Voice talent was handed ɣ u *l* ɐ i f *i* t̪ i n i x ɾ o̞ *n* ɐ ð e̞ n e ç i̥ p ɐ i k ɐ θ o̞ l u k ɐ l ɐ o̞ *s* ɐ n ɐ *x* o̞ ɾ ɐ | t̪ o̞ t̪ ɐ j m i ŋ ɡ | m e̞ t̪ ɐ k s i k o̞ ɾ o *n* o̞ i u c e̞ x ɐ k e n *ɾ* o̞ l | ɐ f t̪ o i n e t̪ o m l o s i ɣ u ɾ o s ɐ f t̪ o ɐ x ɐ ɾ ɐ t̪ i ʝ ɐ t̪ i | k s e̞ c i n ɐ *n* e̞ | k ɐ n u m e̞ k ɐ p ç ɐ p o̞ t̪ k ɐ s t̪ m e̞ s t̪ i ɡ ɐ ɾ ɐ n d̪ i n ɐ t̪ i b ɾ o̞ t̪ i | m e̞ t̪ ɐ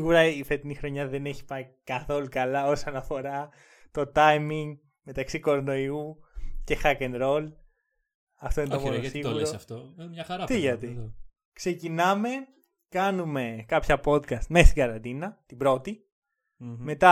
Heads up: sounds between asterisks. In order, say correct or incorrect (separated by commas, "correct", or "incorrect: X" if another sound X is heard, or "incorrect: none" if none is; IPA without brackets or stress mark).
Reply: incorrect: ɾ, incorrect: e, incorrect: ɲ, correct, incorrect: f, correct, correct, incorrect: m